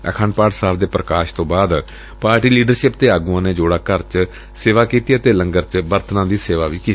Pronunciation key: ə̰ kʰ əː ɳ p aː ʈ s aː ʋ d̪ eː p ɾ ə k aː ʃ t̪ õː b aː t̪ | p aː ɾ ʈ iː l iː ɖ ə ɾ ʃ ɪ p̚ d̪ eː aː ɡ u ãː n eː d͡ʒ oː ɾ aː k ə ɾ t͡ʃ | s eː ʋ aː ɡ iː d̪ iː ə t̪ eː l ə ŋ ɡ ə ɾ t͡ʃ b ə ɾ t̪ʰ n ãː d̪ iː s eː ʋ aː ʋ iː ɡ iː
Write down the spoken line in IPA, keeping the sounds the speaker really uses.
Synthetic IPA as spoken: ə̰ kʰ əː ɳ p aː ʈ s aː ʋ d̪ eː p ɾ ə k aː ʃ t̪ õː b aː d̪ | p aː ɾ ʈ iː l iː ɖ ə ɾ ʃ ɪ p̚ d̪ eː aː ɡ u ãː n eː d͡ʒ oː ɽ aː k ə ɾ t͡ʃ | s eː ʋ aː k iː t̪ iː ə t̪ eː l ə ŋ ɡ ə ɾ t͡ʃ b ə ɾ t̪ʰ n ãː d̪ iː s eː ʋ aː ʋ iː k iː